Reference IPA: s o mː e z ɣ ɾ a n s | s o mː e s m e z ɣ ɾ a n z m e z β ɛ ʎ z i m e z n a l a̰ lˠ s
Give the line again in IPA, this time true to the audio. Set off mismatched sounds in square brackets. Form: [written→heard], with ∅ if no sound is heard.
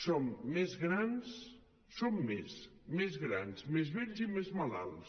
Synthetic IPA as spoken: s o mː e z ɣ ɾ a n s | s o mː e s m e z ɣ ɾ a n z m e z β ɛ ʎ z i m e z [n→m] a l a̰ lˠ s